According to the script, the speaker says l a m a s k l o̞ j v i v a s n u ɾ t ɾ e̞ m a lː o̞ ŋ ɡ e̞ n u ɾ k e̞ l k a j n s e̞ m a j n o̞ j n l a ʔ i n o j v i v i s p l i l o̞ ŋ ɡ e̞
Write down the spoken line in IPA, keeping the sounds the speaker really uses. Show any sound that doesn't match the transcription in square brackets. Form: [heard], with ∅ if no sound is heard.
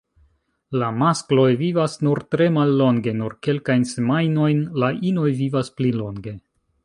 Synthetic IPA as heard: l a m a s k l o̞ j v i v a s n u ɾ t ɾ e̞ m a lː o̞ ŋ ɡ e̞ n u ɾ k e̞ l k a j n s e̞ m a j n o̞ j n l a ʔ i n o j v i v [a] s p l i l o̞ ŋ ɡ e̞